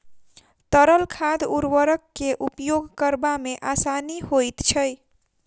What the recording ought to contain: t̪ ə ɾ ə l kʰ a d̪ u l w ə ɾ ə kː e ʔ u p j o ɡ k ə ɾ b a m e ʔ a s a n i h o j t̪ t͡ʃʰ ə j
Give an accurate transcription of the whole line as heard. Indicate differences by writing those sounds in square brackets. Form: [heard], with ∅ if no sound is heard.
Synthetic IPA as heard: t̪ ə ɾ ə l kʰ a d̪ u [ɾ] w ə ɾ ə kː e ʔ u p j o ɡ k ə ɾ b a m e ʔ a s a n i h o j t̪ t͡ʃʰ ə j